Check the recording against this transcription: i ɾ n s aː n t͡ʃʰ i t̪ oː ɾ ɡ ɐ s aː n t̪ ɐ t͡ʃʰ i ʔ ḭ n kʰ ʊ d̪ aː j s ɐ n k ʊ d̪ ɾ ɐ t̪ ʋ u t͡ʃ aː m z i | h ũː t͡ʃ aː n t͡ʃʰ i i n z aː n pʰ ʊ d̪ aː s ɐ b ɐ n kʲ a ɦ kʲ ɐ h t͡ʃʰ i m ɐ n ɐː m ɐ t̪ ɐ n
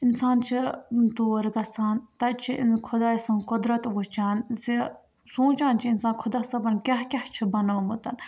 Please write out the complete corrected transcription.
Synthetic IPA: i n s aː n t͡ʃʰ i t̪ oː ɾ ɡ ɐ s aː n t̪ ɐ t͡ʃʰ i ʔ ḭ n kʰ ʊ d̪ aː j s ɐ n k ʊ d̪ ɾ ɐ t̪ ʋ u t͡ʃ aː n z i | s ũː t͡ʃ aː n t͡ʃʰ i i n s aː n kʰ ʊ d̪ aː s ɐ b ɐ n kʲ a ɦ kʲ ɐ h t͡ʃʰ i b ɐ n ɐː m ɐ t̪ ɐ n